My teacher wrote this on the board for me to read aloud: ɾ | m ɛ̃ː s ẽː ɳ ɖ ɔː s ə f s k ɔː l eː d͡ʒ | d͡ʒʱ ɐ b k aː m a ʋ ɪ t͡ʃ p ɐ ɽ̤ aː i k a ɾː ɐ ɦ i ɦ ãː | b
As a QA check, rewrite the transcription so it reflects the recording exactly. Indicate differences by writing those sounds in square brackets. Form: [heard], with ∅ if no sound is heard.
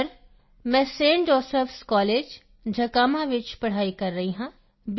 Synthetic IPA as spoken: ɾ | m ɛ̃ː s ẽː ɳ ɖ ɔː s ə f s k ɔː l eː d͡ʒ | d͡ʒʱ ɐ [∅] k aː m a ʋ ɪ t͡ʃ p ɐ ɽ̤ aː i k [ɐ] ɾː ɐ ɦ i ɦ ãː | b

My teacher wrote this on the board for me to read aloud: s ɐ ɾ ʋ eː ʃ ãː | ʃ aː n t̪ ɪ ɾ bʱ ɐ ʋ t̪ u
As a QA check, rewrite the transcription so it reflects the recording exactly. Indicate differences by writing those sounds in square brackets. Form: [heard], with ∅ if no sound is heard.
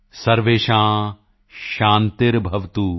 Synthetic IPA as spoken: s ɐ ɾ ʋ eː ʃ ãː | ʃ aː n t̪ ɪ ɾ bʱ ɐ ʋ t̪ u

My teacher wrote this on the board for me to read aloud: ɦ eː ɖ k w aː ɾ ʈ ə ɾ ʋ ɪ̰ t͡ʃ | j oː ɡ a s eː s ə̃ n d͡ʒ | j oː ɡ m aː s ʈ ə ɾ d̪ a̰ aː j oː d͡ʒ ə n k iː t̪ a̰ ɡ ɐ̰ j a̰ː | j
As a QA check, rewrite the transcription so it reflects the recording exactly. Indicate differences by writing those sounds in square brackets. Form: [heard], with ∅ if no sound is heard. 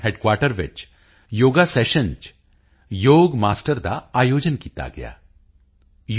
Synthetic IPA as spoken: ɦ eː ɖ k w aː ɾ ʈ ə ɾ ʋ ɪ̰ t͡ʃ | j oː ɡ a s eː [ʃ] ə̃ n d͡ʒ | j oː ɡ m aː s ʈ ə ɾ d̪ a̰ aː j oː d͡ʒ ə n k iː t̪ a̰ ɡ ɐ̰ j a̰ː | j

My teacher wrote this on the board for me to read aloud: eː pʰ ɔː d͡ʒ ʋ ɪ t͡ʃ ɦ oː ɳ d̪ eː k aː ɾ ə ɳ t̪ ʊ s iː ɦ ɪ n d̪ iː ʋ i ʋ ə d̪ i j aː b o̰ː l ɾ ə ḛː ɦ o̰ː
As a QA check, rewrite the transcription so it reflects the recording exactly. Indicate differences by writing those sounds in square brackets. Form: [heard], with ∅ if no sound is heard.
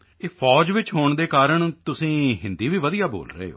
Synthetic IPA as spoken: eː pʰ ɔː d͡ʒ ʋ ɪ t͡ʃ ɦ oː ɳ d̪ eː k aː ɾ ə ɳ t̪ ʊ s [ĩː] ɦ ɪ n d̪ iː ʋ [iː] ʋ ə d̪ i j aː b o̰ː l ɾ ə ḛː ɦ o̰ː

